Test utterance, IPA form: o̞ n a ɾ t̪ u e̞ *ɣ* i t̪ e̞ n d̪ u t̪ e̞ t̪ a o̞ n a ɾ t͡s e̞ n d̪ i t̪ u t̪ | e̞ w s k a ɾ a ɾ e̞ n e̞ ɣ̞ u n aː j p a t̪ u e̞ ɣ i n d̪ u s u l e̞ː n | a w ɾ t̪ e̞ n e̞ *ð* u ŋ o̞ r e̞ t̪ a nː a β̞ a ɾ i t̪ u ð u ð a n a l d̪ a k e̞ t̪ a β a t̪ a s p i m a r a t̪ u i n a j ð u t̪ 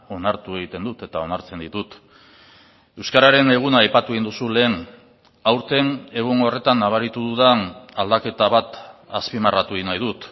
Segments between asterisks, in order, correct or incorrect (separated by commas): correct, incorrect